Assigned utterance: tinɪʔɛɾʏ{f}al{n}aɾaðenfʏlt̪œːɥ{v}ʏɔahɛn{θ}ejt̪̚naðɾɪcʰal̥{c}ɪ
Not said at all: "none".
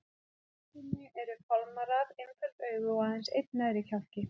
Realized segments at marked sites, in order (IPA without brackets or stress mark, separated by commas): f, m, ɣ, s, c